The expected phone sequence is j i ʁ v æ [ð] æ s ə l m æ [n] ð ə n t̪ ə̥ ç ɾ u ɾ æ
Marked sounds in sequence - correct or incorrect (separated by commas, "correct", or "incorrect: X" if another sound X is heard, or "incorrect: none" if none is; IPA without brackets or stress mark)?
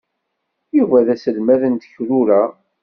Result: correct, incorrect: none